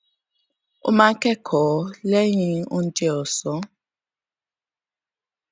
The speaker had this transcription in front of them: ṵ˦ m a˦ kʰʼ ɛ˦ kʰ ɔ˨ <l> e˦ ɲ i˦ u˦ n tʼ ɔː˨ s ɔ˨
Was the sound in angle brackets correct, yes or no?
yes